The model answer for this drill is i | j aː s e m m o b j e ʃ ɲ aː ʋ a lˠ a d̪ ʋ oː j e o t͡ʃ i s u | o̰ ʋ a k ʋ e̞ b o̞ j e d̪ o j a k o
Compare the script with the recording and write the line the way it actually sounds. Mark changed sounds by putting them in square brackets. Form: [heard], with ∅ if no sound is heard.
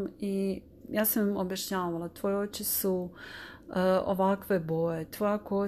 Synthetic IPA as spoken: i | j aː s [a] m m o b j [a] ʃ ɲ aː ʋ a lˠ a [t̪] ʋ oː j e o t͡ʃ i s u | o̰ ʋ a k ʋ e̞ b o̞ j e [t̪] o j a k o